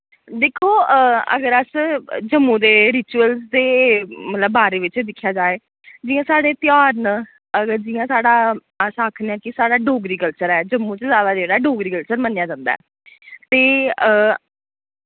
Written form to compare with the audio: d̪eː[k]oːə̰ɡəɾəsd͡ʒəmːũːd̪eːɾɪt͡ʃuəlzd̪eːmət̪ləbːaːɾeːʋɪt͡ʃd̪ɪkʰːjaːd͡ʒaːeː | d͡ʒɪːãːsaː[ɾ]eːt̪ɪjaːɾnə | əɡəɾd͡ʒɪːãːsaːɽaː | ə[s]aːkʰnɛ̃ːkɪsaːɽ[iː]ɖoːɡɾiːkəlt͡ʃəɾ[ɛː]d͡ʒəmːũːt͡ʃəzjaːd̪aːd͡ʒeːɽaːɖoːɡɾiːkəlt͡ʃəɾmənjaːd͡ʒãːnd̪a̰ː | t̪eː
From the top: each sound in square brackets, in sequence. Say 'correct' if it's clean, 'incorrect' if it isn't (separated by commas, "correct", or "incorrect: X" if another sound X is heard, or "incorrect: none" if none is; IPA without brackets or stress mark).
incorrect: kʰ, incorrect: ɽ, correct, incorrect: aː, correct